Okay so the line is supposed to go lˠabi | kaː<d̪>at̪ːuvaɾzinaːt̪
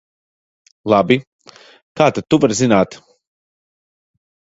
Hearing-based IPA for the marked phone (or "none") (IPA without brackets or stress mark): t̪